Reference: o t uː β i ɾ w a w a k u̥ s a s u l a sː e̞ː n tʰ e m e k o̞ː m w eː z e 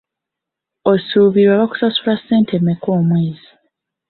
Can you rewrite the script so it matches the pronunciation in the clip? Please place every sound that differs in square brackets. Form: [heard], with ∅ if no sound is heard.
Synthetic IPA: o [s] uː β i ɾ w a [β] a k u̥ s a s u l a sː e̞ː n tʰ e m e k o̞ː m w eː z [i]